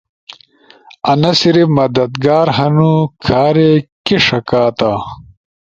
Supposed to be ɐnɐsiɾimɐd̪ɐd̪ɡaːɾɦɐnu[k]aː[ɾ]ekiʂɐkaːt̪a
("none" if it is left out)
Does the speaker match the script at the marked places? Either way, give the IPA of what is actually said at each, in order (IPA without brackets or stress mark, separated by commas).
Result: kʰ, ɾ